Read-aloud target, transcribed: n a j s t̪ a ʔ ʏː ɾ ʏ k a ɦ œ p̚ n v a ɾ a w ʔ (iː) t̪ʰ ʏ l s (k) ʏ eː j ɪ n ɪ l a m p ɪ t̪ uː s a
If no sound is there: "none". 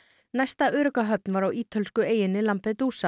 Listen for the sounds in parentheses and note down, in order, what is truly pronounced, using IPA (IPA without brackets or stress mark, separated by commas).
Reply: iː, k